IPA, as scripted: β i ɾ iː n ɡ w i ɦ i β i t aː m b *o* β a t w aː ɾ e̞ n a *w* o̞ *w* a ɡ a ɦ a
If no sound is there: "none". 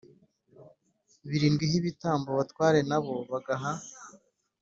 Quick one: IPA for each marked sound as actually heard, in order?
o, β, β

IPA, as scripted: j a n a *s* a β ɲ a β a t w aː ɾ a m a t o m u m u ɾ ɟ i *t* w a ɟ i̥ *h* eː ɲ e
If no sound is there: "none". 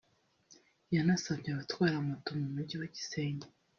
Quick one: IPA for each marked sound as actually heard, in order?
s, none, s

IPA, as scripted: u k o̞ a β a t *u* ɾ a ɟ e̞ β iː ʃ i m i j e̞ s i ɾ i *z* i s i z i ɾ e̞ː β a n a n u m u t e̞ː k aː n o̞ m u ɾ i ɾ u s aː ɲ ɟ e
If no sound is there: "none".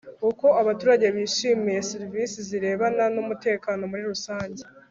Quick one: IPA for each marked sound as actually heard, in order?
uː, v

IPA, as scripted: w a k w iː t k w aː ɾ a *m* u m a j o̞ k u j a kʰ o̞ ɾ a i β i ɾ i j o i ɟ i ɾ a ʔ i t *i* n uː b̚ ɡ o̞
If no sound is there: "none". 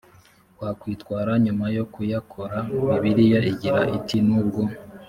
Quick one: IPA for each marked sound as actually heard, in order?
ɲ, i

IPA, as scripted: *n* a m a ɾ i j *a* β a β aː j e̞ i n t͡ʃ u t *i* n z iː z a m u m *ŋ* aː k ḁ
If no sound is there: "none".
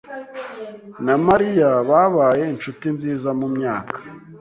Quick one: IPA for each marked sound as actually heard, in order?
n, a, i, ɲ

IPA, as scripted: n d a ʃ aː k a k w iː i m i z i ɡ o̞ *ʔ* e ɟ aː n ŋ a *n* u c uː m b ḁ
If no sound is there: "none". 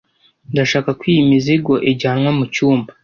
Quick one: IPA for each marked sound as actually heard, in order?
ʔ, m

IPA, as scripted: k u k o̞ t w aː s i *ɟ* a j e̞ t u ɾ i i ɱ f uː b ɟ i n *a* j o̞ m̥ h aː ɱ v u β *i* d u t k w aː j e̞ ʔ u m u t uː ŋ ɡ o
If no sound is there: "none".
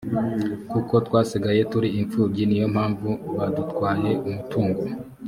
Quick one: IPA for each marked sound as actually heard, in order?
ɡ, i, a

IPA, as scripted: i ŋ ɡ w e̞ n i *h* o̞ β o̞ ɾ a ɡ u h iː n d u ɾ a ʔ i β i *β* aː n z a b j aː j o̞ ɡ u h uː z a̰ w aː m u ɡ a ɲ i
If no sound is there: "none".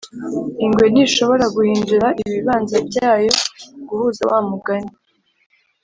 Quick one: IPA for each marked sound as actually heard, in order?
ʃ, β

